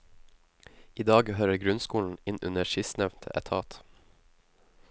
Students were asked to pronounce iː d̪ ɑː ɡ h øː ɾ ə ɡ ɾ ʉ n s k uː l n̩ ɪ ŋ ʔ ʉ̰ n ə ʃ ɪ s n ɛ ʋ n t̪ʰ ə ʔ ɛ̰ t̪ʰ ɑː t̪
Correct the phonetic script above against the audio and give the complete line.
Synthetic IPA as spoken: iː d̪ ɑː ɡ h øː ɾ ə ɡ ɾ ʉ n s k uː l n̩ ɪ n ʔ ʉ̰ n ə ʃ ɪ s n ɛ ʋ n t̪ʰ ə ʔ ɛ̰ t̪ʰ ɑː t̪